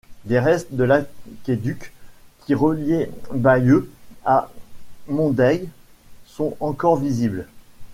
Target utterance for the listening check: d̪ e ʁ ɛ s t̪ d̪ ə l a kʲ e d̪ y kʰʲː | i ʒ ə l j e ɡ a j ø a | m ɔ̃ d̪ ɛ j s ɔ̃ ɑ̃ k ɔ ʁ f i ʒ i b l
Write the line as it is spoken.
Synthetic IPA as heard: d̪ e ʁ ɛ s t̪ d̪ ə l a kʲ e d̪ y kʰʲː | i ʁ ə l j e b a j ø a | m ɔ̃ d̪ ɛ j s ɔ̃ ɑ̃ k ɔ ʁ v i z i b l

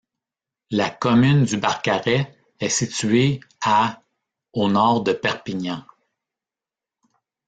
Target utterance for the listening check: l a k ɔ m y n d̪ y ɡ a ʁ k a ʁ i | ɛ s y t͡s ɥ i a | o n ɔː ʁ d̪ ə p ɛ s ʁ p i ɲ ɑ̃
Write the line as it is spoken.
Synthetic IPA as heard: l a k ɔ m y n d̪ y b a ʁ k a ʁ ɛ | ɛ s i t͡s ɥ e a | o n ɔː ʁ d̪ ə p ɛ ʁ p i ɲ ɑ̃

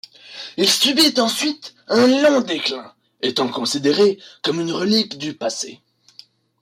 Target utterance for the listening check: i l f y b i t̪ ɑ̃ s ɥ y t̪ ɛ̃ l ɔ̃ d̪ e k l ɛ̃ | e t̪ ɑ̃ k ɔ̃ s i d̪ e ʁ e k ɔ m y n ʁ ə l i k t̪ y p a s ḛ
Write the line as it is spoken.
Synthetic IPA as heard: i l s y b i t̪ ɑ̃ s ɥ i t̪ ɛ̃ l ɔ̃ d̪ e k l ɛ̃ | e t̪ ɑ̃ k ɔ̃ s i d̪ e ʁ e k ɔ m y n ʁ ə l i k d̪ y p a s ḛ

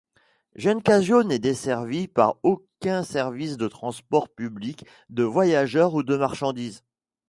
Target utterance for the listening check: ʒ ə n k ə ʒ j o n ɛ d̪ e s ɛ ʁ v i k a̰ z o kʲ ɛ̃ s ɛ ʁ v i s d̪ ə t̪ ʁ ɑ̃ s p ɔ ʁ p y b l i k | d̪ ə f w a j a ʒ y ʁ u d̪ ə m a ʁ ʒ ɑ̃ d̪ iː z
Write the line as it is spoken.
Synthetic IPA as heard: ʒ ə n k a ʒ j o n ɛ d̪ e s ɛ ʁ v i p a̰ ʁ o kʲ ɛ̃ s ɛ ʁ v i s d̪ ə t̪ χ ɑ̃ s p ɔ ʁ p y b l i k | d̪ ə v w a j a ʒ œ ʁ u d̪ ə m a ʁ ʃ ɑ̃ d̪ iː z

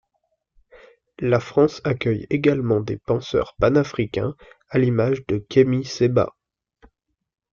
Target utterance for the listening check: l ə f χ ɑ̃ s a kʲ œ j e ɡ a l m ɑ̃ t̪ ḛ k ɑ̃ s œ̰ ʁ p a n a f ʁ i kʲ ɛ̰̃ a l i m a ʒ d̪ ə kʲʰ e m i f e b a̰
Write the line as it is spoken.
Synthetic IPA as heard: l a f χ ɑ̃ s a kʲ œ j e ɡ a l m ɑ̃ d̪ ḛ p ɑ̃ s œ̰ ʁ p a n a f χ i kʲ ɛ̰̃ a l i m a ʒ d̪ ə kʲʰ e m i s e b a̰

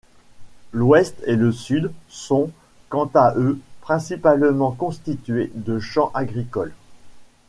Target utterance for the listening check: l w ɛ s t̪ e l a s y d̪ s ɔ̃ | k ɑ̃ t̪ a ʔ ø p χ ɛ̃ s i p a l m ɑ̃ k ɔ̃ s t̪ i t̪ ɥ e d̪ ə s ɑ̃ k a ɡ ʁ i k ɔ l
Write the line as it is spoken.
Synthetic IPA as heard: l w ɛ s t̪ e l ə s y d̪ s ɔ̃ | k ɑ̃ t̪ a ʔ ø p χ ɛ̃ s i p a l m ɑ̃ k ɔ̃ s t̪ i t̪ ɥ e d̪ ə ʃ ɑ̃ ʔ a ɡ ʁ i k ɔ l

